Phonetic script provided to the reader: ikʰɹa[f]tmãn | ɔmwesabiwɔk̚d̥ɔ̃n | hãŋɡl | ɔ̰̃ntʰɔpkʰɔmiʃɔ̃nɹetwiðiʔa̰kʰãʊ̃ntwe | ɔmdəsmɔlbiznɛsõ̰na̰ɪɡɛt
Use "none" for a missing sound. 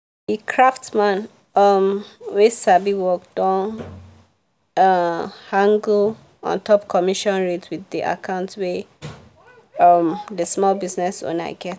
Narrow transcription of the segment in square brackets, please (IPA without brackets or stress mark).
f